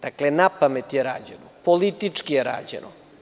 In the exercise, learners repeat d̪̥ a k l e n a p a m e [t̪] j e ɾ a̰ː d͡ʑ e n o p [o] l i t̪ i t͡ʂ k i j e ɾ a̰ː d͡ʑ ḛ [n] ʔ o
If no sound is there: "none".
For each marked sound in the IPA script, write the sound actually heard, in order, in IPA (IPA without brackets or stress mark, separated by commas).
t̪, o, n